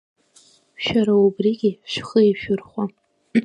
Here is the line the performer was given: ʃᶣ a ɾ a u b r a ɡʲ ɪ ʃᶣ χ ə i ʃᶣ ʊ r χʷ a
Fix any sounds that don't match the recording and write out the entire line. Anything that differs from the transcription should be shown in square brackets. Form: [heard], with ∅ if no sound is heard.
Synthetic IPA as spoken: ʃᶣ a ɾ a u b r [i] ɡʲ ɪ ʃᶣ χ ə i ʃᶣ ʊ r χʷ a